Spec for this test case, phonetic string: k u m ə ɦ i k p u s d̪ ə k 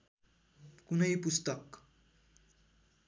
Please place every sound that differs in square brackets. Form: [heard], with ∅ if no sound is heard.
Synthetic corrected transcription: k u [n] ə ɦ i [∅] p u s [t̪] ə k